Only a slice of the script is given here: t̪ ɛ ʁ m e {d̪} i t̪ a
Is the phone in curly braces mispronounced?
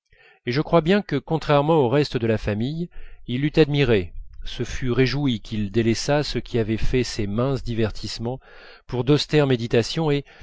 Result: no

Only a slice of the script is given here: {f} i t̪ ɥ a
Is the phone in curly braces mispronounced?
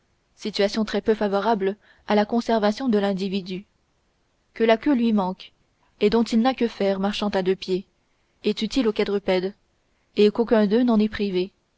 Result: yes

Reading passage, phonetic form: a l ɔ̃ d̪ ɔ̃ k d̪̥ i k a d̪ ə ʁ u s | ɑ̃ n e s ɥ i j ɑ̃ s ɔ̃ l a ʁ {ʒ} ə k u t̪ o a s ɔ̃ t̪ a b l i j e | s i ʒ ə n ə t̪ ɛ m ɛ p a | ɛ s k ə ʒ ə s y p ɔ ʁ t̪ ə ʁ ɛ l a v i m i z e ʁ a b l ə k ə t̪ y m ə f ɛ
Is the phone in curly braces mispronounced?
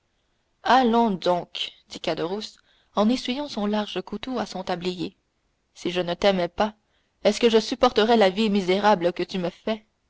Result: no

